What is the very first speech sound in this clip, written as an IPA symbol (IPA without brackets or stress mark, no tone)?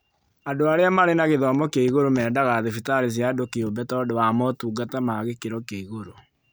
a